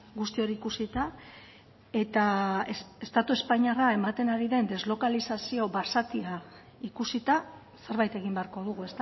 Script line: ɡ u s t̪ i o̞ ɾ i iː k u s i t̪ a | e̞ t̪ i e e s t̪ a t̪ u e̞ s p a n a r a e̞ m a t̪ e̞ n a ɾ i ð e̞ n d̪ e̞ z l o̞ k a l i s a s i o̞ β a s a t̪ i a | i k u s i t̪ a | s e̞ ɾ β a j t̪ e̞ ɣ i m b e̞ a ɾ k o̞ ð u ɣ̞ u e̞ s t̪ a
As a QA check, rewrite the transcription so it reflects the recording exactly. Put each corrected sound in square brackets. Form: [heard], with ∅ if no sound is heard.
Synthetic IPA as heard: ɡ u s t̪ i o̞ ɾ i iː k u s i t̪ a | e̞ t̪ [a] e e s t̪ a t̪ u e̞ s p a [ɲ] a r a e̞ m a t̪ e̞ n a ɾ i ð e̞ n d̪ e̞ z l o̞ k a l i s a s i o̞ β a s a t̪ i a | i k u s i t̪ a | s e̞ ɾ β a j t̪ e̞ ɣ i m b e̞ a ɾ k o̞ ð u ɣ̞ u e̞ s t̪ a